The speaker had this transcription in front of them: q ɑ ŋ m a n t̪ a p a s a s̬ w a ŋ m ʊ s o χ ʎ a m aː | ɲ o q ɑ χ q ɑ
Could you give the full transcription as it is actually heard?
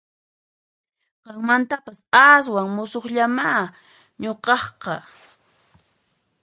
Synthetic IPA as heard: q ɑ ŋ m a n t̪ a p a s a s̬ w a ŋ m ʊ s o χ ʎ a m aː | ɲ o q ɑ χ q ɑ